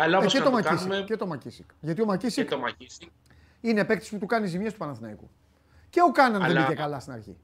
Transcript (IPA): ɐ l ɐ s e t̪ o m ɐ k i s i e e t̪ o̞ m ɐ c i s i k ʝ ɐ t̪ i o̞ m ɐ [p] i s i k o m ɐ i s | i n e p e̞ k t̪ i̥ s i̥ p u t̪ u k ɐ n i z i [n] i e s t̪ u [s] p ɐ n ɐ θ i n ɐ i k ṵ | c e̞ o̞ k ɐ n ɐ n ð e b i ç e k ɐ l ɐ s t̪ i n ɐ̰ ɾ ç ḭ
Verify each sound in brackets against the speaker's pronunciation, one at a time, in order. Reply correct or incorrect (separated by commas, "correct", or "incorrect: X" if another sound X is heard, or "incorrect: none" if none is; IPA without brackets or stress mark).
incorrect: c, incorrect: m, incorrect: none